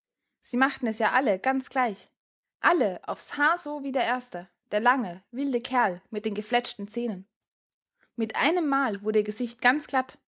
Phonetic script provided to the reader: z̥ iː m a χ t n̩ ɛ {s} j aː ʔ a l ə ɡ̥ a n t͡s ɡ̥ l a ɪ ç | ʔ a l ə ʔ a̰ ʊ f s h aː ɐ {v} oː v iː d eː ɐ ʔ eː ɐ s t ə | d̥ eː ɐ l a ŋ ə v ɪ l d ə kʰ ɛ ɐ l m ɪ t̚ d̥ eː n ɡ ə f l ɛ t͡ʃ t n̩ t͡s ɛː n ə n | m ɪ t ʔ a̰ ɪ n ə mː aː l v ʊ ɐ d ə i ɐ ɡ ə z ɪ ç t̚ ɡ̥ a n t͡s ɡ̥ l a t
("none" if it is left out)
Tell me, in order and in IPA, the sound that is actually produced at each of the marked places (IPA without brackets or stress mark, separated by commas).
s, z